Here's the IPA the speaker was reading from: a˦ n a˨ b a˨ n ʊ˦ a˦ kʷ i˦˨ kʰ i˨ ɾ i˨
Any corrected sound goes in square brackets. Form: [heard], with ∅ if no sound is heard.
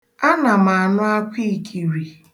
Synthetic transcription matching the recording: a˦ n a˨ [m] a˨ n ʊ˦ a˦ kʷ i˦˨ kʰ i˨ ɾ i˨